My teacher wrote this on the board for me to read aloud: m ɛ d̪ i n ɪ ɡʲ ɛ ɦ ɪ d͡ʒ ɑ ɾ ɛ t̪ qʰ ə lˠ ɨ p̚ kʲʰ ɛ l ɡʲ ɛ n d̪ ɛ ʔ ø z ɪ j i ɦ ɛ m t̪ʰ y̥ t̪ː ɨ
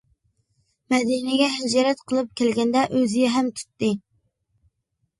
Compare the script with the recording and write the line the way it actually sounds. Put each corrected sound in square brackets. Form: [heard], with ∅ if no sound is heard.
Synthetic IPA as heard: m ɛ d̪ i n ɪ ɡʲ ɛ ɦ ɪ d͡ʒ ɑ ɾ ɛ t̪ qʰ ə lˠ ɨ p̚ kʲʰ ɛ l ɡʲ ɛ n d̪ ɛ ʔ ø z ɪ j [ɛ] ɦ ɛ m t̪ʰ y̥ t̪ː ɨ